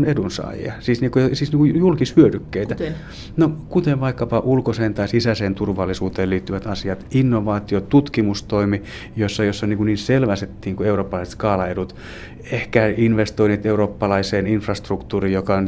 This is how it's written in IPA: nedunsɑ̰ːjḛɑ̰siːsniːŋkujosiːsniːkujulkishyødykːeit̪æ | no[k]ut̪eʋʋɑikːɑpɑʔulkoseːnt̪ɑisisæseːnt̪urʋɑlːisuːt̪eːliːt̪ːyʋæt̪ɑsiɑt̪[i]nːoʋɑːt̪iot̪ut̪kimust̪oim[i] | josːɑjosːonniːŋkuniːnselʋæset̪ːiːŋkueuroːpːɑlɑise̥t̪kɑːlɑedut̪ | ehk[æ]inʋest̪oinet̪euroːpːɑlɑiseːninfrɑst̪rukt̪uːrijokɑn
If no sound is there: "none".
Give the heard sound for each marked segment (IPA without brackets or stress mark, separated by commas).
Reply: k, i, i, æ